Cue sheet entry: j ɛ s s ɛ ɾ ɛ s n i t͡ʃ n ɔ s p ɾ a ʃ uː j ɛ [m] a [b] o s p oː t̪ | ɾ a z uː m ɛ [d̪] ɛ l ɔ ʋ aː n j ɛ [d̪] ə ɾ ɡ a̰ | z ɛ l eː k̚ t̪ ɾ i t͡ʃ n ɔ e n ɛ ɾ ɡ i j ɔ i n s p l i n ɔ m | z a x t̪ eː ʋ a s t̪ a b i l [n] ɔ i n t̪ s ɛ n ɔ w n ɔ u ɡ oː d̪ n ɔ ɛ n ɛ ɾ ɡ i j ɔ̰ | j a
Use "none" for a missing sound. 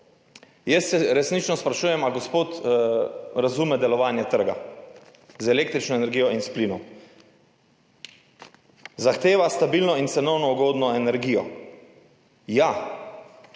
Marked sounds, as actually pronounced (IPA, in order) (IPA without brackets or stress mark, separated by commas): m, ɡ, d̪, t̪, n